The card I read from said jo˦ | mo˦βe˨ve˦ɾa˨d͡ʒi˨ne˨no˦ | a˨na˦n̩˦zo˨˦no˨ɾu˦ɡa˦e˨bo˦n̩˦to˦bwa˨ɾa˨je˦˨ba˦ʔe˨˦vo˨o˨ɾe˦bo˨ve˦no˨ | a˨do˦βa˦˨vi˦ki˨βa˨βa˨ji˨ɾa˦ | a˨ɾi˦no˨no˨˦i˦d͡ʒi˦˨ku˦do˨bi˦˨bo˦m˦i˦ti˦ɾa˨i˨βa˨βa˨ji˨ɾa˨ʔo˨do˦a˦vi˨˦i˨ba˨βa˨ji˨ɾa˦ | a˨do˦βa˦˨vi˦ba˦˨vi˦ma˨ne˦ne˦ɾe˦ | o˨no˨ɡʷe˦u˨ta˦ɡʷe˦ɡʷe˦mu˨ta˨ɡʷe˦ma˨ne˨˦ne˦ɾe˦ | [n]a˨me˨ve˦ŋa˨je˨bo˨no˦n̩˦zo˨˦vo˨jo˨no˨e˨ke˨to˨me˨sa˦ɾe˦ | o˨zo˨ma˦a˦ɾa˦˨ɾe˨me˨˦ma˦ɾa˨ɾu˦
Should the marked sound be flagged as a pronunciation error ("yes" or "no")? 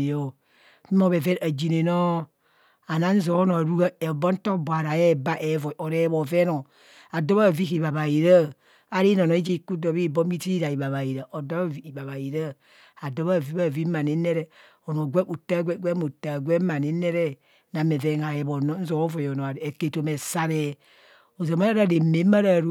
no